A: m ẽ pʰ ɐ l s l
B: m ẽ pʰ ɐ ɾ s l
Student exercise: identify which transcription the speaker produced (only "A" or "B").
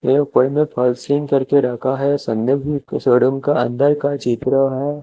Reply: A